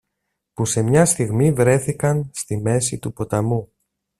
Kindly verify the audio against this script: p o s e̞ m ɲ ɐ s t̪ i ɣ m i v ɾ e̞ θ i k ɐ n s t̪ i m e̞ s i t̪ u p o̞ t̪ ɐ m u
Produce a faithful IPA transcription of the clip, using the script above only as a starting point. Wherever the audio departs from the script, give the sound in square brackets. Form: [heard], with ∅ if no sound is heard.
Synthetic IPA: p [u] s e̞ m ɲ ɐ s t̪ i ɣ m i v ɾ e̞ θ i k ɐ n s t̪ i m e̞ s i t̪ u p o̞ t̪ ɐ m u